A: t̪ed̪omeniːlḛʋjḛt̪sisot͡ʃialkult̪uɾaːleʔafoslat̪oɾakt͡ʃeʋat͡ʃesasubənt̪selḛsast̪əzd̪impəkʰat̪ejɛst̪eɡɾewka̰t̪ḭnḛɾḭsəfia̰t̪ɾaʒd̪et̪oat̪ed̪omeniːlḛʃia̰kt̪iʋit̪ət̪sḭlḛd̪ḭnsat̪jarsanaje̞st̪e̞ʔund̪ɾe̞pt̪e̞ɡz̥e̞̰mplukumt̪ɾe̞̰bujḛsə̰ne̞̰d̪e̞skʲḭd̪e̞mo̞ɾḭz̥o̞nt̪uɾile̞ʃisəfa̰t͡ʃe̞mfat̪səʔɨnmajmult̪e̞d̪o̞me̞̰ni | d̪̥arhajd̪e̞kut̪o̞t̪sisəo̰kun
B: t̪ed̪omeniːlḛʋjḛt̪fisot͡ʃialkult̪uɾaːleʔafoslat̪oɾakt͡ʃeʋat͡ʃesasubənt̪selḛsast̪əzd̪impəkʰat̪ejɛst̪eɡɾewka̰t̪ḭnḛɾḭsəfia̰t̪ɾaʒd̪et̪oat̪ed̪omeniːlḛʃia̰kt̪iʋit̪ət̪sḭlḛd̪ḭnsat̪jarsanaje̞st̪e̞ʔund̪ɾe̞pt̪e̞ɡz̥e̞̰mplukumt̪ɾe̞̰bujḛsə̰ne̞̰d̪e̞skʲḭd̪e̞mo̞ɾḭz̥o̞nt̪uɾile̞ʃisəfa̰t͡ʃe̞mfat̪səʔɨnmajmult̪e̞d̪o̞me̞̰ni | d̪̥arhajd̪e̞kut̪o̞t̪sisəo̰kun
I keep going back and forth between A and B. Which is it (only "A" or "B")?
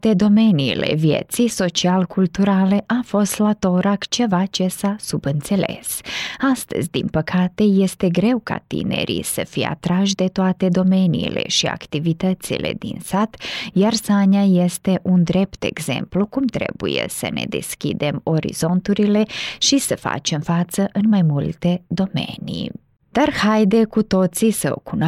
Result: A